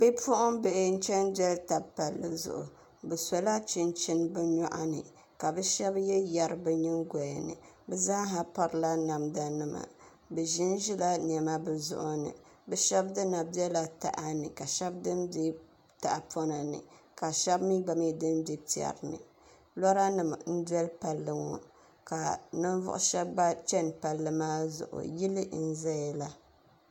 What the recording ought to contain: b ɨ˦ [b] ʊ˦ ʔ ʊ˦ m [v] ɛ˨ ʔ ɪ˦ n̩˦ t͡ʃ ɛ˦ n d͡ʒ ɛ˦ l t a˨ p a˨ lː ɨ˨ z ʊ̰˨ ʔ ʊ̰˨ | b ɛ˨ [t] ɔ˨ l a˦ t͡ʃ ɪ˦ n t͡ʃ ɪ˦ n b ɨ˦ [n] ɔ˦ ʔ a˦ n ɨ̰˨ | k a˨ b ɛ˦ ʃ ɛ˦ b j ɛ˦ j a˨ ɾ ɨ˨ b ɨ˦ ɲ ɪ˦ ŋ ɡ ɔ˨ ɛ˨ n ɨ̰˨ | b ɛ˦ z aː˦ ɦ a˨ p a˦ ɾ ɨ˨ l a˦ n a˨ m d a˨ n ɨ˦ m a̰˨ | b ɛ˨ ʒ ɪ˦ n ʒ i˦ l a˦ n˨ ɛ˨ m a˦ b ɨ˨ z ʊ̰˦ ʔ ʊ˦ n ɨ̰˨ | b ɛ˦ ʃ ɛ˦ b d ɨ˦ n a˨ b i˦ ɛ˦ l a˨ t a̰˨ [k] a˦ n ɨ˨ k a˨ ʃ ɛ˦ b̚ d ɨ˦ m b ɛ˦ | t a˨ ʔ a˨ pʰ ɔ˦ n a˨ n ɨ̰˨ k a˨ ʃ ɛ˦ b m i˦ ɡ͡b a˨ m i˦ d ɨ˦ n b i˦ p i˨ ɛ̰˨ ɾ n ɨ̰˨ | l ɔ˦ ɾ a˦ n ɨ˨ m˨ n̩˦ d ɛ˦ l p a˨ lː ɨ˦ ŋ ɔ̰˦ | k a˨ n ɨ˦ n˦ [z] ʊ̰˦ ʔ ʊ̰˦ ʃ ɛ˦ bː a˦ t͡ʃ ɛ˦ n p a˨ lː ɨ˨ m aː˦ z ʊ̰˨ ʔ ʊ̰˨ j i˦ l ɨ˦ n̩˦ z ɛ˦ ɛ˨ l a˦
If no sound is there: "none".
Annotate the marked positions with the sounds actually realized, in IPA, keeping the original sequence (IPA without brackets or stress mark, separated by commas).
p, b, s, ɲ, ʔ, v